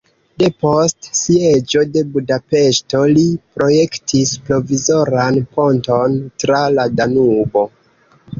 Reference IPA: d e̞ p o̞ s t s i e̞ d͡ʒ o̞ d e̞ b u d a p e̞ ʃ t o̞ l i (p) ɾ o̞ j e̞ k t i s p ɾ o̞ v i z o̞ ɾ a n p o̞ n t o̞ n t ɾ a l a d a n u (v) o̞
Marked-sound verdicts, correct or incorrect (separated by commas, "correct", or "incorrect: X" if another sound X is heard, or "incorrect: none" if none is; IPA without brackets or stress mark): correct, incorrect: b